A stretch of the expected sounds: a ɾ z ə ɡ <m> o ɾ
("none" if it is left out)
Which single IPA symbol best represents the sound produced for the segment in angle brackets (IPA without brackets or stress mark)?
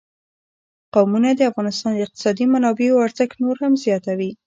n